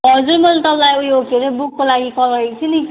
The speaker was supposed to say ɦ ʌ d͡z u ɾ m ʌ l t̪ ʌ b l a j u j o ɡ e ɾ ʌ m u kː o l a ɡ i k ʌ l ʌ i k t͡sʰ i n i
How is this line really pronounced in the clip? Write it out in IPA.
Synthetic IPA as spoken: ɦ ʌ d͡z u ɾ m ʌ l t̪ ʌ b l a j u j o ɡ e ɾ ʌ b u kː o l a ɡ i k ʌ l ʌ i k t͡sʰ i n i